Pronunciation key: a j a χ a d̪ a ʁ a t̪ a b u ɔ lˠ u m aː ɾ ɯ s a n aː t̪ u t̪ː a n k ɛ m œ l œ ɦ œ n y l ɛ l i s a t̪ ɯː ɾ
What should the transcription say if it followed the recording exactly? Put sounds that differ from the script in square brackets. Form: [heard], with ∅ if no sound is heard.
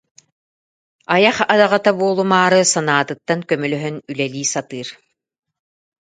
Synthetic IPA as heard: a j a χ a d̪ a ʁ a t̪ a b u ɔ lˠ u m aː ɾ ɯ s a n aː t̪ [ɯ] t̪ː a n k [œ] m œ l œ ɦ œ n y l ɛ l [iː] s a t̪ ɯː ɾ